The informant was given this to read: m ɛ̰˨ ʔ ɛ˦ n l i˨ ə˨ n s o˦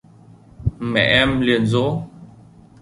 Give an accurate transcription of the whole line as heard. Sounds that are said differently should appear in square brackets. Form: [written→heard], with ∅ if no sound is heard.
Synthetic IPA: m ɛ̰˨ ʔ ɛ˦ [n→m] l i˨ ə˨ n [s→z] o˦

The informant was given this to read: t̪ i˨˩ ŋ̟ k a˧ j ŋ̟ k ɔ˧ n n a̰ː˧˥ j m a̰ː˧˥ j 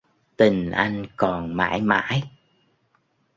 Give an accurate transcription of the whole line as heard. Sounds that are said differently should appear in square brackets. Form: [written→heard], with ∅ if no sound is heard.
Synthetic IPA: t̪ i˨˩ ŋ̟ [k→ʔ] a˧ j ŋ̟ k [ɔ˧→ɔ˨˩] n [n→m] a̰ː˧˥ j m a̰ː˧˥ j

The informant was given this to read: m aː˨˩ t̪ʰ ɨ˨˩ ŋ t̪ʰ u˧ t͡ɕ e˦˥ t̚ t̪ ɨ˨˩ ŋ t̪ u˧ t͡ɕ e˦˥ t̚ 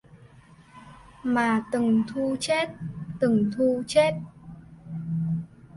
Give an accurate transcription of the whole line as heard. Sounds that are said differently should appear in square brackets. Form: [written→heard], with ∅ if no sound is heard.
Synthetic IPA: m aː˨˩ [t̪ʰ→t̪] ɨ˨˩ ŋ t̪ʰ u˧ t͡ɕ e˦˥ t̚ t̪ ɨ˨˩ ŋ [t̪→t̪ʰ] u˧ t͡ɕ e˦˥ t̚

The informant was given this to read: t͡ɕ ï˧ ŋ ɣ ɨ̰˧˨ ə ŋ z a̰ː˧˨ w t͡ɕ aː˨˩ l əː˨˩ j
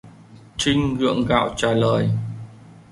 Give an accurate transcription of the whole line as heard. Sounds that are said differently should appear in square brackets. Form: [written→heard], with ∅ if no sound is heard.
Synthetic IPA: t͡ɕ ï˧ ŋ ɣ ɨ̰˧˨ ə ŋ [z→ɣ] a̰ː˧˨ w t͡ɕ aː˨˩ l əː˨˩ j

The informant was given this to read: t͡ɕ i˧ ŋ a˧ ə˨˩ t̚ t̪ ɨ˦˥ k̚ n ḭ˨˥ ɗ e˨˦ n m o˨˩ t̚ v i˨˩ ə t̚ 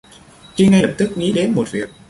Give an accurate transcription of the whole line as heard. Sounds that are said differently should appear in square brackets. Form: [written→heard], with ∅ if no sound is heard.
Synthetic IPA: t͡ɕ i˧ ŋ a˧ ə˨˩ [t̚→p̚] t̪ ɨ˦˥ k̚ [n→ŋ] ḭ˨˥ ɗ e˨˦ n m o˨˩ t̚ v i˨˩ ə [t̚→k̚]

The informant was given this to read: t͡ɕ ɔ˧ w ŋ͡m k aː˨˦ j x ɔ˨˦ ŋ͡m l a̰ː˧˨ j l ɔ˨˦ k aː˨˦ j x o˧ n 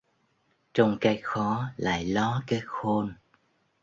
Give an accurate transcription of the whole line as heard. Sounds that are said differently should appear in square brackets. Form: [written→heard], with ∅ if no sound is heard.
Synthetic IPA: t͡ɕ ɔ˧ w ŋ͡m k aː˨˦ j x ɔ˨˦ [ŋ͡m→∅] l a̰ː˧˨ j l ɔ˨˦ k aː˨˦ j x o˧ n

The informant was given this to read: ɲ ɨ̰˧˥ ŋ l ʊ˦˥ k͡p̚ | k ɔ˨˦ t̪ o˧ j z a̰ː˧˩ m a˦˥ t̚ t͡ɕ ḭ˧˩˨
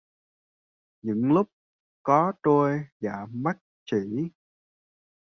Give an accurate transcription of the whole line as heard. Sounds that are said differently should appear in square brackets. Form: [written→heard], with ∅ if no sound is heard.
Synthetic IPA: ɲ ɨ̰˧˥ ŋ l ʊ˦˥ k͡p̚ | k ɔ˨˦ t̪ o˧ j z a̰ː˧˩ m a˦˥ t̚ t͡ɕ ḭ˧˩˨

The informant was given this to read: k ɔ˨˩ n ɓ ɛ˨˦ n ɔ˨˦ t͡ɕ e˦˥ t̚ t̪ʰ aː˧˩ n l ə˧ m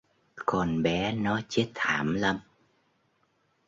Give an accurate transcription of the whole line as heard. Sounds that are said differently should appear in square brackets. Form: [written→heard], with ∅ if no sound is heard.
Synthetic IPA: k ɔ˨˩ n ɓ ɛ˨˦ n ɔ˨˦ t͡ɕ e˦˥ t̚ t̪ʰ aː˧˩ [n→m] l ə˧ m

